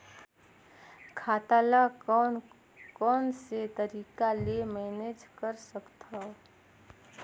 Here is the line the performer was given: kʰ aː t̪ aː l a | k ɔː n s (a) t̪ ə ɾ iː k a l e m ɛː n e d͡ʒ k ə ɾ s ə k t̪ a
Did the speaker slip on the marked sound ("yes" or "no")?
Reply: yes